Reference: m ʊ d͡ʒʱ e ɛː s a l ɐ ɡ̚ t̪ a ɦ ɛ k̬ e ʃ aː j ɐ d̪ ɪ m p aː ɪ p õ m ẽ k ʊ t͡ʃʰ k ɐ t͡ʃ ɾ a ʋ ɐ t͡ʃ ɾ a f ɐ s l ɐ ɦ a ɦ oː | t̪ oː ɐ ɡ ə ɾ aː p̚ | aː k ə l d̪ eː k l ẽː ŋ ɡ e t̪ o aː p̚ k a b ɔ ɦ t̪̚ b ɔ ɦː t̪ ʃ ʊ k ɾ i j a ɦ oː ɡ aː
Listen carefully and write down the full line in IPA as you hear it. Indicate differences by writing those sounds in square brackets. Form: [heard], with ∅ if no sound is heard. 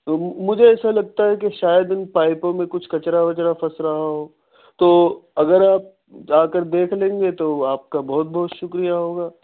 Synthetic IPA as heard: m ʊ d͡ʒʱ e ɛː s a l ɐ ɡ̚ t̪ a ɦ ɛ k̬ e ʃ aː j [ə] d̪ ɪ [n] p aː ɪ p õ m ẽ k ʊ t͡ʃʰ k ɐ t͡ʃ ɾ a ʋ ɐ t͡ʃ ɾ a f ɐ s [ɾ] ɐ ɦ a ɦ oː | t̪ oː ɐ ɡ ə ɾ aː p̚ | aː k ə [ɾ] d̪ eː [kʰ] l ẽː ŋ ɡ e t̪ o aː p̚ k a b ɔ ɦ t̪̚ b ɔ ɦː t̪ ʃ ʊ k ɾ i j a ɦ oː ɡ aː

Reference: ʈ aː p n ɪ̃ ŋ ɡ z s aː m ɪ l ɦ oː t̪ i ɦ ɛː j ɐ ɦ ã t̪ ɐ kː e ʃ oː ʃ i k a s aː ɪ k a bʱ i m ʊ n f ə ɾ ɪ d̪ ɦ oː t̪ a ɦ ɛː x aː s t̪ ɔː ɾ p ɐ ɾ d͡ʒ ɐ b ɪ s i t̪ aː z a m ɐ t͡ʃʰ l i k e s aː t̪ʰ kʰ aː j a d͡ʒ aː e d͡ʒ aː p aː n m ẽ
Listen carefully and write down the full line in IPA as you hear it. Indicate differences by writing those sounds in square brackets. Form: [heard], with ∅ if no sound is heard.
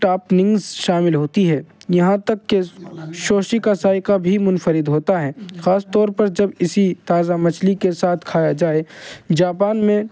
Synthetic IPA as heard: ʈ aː p n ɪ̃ ŋ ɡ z [ʃ] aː m ɪ l ɦ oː t̪ i ɦ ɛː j ɐ ɦ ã t̪ ɐ kː e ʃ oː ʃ i k a s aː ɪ k a bʱ i m ʊ n f ə ɾ ɪ d̪ ɦ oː t̪ a ɦ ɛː x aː s t̪ ɔː ɾ p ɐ ɾ d͡ʒ ɐ b ɪ s i t̪ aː z a m ɐ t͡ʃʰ l i k e s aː t̪ʰ kʰ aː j a d͡ʒ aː e d͡ʒ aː p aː n m ẽ

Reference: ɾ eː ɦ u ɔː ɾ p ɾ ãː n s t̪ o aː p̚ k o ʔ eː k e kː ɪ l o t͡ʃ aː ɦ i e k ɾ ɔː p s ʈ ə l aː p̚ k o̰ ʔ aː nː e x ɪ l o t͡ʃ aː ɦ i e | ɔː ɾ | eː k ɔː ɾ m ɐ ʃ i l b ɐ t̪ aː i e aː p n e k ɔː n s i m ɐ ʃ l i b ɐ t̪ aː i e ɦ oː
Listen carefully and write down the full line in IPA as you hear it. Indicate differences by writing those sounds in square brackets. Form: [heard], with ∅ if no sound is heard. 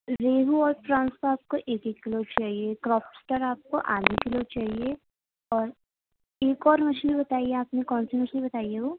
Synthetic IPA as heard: ɾ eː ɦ u ɔː ɾ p ɾ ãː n s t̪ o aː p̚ k o ʔ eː k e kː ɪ l o t͡ʃ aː ɦ i e k ɾ ɔː p s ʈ ə [ɾ] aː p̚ k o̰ ʔ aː [n] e [k] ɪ l o t͡ʃ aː ɦ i e | ɔː ɾ | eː k ɔː ɾ m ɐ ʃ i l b ɐ t̪ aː i e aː p n e k ɔː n s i m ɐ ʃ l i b ɐ t̪ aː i e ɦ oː

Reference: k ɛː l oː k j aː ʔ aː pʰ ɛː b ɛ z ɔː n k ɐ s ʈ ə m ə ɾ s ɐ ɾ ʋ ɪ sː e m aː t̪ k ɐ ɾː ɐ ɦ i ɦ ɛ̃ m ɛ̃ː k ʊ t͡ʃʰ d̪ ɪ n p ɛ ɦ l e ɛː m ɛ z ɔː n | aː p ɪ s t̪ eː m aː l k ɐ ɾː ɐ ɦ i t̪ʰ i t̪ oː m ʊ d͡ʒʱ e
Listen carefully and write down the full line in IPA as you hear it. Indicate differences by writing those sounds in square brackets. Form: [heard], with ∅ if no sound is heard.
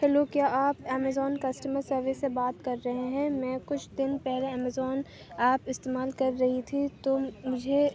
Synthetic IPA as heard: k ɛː l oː k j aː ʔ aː [p] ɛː [m] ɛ z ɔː n k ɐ s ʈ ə m ə ɾ s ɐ ɾ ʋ ɪ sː e [b] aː t̪ k ɐ ɾː ɐ ɦ [e] ɦ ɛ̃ m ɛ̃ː k ʊ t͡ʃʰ d̪ ɪ n p ɛ ɦ l e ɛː m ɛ z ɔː n | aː p ɪ s t̪ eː m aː l k ɐ ɾː ɐ ɦ i t̪ʰ i t̪ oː m ʊ d͡ʒʱ e

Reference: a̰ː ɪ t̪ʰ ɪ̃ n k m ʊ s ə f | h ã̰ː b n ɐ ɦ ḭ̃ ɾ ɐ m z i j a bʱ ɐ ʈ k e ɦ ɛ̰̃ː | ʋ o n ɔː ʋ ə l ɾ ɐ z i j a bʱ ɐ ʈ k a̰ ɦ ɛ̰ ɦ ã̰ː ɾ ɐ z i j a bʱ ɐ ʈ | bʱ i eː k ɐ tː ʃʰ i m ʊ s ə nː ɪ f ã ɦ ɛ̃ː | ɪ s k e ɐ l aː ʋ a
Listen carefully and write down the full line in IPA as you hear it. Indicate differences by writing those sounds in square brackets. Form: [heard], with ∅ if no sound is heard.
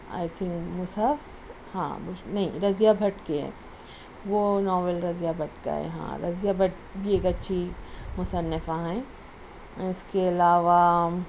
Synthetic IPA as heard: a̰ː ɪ t̪ʰ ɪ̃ [ŋ] k m ʊ s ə f | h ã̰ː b n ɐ ɦ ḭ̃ ɾ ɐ [∅] z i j a bʱ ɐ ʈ k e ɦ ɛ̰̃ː | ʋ o n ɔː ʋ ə l ɾ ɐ z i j a bʱ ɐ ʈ k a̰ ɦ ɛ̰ ɦ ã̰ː ɾ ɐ z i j a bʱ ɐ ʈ | bʱ i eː k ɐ tː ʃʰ i m ʊ s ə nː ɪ f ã ɦ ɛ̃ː | ɪ s k e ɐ l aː ʋ a

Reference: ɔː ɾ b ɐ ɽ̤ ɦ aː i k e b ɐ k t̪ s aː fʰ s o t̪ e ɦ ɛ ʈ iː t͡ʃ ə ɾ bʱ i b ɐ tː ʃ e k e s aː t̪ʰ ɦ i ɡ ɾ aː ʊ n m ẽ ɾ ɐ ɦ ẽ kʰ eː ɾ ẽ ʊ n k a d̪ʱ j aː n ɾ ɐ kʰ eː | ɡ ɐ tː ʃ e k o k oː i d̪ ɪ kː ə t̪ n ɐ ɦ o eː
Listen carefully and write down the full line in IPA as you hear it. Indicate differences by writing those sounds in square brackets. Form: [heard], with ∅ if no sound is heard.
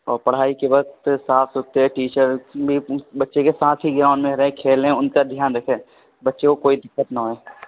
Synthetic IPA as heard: ɔː ɾ [p] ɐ ɽ̤ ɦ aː i k e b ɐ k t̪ s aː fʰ s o t̪ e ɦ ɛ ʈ iː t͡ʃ ə ɾ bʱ i b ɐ tː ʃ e k e s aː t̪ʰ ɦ i ɡ ɾ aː ʊ n m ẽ ɾ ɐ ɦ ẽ kʰ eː [l] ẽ ʊ n k a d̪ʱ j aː n ɾ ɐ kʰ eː | [b] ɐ tː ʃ e k o k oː i d̪ ɪ kː ə t̪ n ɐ ɦ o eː

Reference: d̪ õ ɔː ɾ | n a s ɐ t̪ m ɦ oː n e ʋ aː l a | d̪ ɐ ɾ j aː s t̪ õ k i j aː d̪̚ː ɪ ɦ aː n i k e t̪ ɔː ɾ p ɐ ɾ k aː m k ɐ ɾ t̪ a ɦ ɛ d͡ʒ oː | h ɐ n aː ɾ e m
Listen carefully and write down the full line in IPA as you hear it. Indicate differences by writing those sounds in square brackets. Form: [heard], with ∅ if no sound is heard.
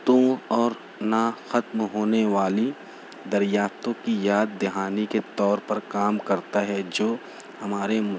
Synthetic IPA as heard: [t̪] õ ɔː ɾ | n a [x] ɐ t̪ m ɦ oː n e ʋ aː l [i] | d̪ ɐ ɾ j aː [f] t̪ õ k i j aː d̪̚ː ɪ ɦ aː n i k e t̪ ɔː ɾ p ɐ ɾ k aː m k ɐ ɾ t̪ a ɦ ɛ d͡ʒ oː | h ɐ [m] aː ɾ e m

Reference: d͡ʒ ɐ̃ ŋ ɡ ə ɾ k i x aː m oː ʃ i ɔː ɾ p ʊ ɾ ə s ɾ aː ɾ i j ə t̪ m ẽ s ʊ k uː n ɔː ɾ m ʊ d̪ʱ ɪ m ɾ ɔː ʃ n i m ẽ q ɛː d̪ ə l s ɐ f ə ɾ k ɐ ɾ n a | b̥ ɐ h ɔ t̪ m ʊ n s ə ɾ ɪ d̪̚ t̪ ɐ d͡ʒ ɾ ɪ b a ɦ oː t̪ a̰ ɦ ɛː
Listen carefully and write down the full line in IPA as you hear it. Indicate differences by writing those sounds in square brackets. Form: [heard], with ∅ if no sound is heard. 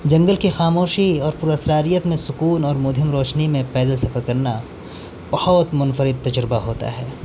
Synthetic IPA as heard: d͡ʒ ɐ̃ ŋ ɡ ə [l] k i x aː m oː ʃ i ɔː ɾ p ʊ ɾ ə s ɾ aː ɾ i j ə t̪ m ẽ s ʊ k uː n ɔː ɾ m ʊ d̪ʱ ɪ m ɾ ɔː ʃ n i m ẽ [p] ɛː d̪ ə l s ɐ f ə ɾ k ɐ ɾ n a | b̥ ɐ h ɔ t̪ m ʊ n [f] ə ɾ ɪ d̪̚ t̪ ɐ d͡ʒ ɾ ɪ b a ɦ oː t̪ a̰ ɦ ɛː

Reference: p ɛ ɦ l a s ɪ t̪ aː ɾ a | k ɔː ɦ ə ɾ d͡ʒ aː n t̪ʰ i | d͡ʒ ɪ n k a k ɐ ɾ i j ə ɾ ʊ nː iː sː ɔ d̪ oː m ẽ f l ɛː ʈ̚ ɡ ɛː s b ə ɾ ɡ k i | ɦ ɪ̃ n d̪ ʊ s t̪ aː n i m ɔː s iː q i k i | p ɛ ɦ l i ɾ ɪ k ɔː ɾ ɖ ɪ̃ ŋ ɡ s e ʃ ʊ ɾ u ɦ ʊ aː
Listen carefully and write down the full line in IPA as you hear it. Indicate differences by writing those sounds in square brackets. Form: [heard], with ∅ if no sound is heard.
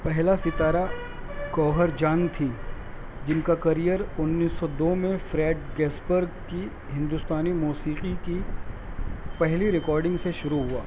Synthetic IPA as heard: p ɛ ɦ l a s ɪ t̪ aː ɾ a | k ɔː ɦ ə ɾ d͡ʒ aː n t̪ʰ i | d͡ʒ ɪ n k a k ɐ ɾ i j ə ɾ ʊ nː iː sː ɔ d̪ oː m ẽ f [ɾ] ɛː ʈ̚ ɡ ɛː s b ə ɾ ɡ k i | ɦ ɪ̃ n d̪ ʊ s t̪ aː n i m [uː] s iː q i k i | p ɛ ɦ l i ɾ ɪ k ɔː ɾ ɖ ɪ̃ ŋ ɡ s e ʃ ʊ ɾ u ɦ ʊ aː

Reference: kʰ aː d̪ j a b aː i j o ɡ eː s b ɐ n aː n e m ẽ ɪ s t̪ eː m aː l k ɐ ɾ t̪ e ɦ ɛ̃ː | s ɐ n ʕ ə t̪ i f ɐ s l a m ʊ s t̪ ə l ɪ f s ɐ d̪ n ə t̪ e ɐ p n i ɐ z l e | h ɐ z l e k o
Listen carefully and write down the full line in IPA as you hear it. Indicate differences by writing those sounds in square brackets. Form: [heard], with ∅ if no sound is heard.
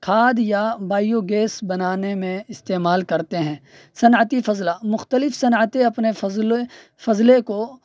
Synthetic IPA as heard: kʰ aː d̪ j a b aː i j o ɡ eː s b ɐ n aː n e m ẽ ɪ s t̪ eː m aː l k ɐ ɾ t̪ e ɦ ɛ̃ː | s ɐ n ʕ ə t̪ i f ɐ [z] l a m ʊ [x] t̪ ə l ɪ f s ɐ [∅] n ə t̪ e ɐ p n [e] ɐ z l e | [f] ɐ z l e k o

